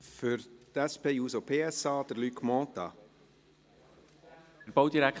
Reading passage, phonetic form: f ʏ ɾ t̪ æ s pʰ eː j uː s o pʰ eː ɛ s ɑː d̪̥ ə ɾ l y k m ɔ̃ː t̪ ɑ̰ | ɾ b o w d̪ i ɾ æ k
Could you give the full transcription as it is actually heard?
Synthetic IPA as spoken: f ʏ ɾ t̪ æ s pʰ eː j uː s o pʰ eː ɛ s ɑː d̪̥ ə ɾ l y k m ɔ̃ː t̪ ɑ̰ | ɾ b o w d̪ i ɾ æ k